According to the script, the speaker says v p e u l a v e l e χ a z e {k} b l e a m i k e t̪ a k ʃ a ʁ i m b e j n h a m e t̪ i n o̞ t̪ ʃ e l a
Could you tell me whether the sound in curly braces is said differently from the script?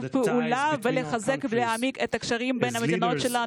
no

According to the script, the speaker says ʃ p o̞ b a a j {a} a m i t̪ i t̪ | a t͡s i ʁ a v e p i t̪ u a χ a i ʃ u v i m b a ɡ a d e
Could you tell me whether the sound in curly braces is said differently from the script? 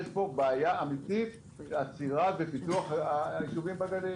no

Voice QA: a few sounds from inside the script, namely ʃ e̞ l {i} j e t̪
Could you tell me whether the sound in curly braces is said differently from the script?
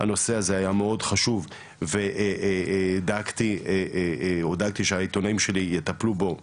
no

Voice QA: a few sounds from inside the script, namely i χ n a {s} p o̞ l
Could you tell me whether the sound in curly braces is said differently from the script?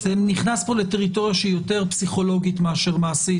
no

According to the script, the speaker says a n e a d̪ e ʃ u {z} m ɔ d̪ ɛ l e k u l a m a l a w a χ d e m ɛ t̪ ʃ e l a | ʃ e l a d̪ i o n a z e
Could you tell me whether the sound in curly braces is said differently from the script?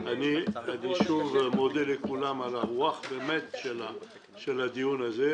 yes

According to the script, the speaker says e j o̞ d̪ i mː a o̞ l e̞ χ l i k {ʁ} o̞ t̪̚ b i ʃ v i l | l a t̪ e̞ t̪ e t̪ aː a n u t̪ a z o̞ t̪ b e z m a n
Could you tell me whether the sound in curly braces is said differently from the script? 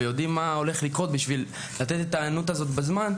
no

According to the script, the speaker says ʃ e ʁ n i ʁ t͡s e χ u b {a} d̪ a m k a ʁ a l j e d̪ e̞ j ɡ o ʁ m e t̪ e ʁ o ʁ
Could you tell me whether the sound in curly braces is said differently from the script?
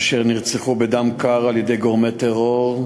yes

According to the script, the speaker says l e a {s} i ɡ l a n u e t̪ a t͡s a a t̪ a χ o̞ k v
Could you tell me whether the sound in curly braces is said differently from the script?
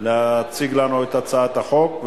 yes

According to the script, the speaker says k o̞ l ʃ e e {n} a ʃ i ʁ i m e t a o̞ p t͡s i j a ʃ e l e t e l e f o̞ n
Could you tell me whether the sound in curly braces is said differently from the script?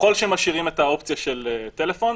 yes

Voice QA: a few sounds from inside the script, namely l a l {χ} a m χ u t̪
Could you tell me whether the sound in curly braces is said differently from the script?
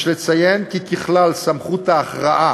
yes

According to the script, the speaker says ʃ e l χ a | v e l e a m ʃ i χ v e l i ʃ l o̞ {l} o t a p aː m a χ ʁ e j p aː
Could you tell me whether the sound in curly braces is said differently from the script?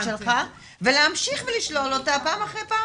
no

